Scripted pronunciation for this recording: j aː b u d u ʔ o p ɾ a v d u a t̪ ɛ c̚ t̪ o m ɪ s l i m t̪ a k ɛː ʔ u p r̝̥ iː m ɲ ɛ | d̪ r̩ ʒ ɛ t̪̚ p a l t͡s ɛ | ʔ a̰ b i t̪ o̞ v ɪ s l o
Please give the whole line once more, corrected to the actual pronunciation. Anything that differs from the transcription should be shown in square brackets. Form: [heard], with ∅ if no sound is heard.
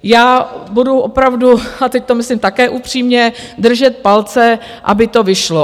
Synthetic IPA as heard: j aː b u d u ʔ o p ɾ a v d u a t̪ ɛ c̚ t̪ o m ɪ s l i m t̪ a k ɛː ʔ u p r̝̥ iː m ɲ ɛ | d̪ r̩ ʒ ɛ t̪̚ p a l t͡s ɛ | ʔ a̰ b [ɪ] t̪ o̞ v ɪ [ʃ] l o